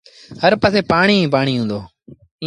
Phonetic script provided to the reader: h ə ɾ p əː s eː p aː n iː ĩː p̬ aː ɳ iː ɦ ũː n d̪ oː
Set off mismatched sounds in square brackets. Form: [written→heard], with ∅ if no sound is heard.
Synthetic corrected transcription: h ə ɾ p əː s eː p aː [n→ɳ] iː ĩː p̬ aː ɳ iː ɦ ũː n d̪ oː